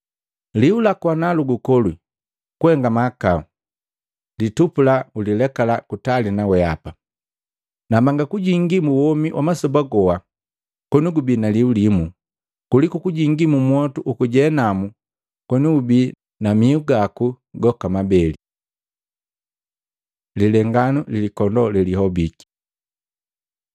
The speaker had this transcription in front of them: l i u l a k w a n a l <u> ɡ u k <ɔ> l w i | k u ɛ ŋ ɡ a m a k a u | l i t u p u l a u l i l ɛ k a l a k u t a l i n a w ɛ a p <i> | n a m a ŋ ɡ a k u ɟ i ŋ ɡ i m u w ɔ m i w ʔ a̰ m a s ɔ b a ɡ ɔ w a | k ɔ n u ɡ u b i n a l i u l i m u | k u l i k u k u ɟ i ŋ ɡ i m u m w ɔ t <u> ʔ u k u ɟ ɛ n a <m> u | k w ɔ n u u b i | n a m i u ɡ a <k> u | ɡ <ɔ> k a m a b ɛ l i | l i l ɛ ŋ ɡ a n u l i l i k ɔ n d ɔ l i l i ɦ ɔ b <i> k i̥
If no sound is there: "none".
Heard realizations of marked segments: u, ɔ, a, u, m, k, ɔ, i

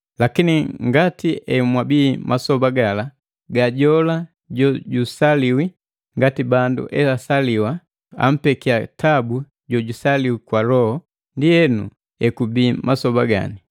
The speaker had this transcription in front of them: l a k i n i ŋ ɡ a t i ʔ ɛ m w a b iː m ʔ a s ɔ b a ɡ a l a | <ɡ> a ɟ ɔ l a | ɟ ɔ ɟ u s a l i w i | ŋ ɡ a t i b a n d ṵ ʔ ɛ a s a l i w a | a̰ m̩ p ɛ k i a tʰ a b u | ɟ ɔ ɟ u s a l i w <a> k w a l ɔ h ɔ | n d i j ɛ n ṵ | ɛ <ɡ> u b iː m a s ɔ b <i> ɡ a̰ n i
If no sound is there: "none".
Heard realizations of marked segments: ɡ, i, k, a

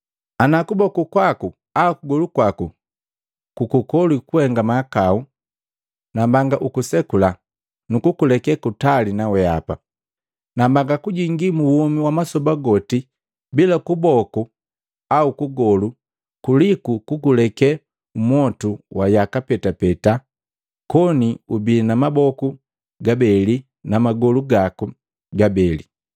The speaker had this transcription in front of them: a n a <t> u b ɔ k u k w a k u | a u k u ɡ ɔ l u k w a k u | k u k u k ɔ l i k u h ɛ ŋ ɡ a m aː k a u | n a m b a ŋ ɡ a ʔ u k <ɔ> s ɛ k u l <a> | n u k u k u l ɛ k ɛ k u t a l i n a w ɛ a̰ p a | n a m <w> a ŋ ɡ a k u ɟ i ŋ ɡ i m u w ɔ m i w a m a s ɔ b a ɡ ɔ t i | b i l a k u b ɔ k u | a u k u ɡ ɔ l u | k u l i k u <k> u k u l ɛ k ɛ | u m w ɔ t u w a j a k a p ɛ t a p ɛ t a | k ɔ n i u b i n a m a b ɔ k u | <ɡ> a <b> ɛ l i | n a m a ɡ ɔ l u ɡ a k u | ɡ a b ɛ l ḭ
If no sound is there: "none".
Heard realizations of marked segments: k, u, a, b, k, ɡ, b

